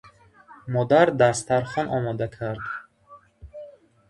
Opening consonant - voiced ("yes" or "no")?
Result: yes